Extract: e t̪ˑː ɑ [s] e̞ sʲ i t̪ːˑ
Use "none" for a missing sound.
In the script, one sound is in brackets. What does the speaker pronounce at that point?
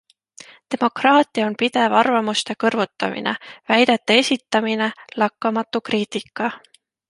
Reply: none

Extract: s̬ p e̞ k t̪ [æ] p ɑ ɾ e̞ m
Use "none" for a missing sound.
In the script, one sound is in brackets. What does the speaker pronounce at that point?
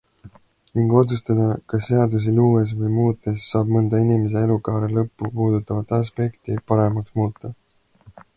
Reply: i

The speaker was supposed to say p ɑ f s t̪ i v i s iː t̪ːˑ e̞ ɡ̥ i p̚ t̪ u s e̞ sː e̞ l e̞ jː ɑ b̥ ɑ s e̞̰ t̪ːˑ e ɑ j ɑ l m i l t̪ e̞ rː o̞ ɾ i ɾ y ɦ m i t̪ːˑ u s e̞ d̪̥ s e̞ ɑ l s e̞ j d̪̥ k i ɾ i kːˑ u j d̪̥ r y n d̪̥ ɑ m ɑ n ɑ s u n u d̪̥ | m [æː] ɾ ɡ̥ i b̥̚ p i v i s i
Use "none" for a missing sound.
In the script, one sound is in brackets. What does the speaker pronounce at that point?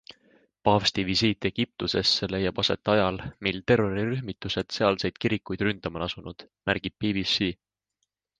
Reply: æ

